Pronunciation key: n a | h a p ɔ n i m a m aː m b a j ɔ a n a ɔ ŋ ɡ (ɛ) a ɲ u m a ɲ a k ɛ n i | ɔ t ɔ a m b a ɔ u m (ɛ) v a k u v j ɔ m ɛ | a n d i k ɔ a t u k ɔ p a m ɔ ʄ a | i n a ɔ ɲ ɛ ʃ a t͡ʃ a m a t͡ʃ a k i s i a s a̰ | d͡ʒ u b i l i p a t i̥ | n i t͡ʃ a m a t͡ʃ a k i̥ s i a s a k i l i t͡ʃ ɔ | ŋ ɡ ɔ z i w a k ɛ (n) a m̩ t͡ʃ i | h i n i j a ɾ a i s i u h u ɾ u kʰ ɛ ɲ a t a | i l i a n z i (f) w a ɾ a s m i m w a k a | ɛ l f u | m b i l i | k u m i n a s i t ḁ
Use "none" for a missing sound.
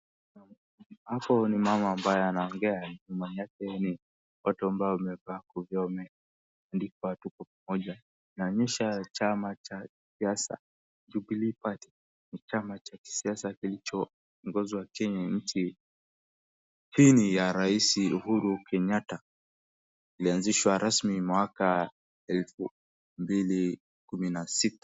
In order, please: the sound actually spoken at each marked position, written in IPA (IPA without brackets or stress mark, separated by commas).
ɛ, ɛ, ɲ, ʃ